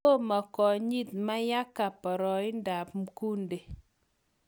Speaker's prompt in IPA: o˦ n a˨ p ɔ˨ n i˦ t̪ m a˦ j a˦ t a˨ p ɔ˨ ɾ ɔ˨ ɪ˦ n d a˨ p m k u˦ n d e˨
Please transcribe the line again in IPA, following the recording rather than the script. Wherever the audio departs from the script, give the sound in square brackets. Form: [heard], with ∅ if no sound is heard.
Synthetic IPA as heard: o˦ [m] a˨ [k] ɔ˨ [ɲ] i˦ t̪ m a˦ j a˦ [k] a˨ p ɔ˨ ɾ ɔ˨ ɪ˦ n d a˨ p m k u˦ n d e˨